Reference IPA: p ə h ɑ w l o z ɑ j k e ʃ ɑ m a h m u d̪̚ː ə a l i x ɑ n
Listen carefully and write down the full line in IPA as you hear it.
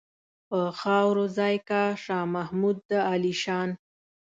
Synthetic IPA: p ə x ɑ w ɾ o z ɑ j k a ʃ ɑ m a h m u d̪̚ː ə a l i ʃ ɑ n